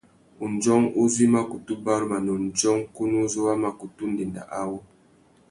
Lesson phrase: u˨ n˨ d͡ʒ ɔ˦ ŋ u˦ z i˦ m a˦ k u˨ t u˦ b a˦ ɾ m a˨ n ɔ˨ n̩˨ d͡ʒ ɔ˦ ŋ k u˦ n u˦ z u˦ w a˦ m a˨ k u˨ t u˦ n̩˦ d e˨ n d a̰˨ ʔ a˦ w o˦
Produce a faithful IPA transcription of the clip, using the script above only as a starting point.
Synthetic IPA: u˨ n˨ d͡ʒ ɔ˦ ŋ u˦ z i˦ m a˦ k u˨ t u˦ b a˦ ɾ m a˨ n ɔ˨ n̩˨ d͡ʒ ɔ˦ ŋ k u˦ n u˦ z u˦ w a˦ m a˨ k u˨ t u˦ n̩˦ d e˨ n d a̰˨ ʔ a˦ w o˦